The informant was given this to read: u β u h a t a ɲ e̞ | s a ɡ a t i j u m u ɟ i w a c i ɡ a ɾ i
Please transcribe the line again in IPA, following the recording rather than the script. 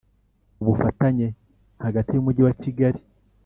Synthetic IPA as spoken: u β u f a t a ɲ e̞ | h a ɡ a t i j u m u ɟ i w a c i ɡ a ɾ i